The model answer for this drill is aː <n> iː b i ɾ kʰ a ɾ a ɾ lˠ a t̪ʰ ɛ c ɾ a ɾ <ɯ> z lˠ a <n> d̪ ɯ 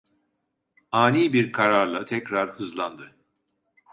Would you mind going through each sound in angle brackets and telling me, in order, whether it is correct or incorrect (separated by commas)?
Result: correct, correct, correct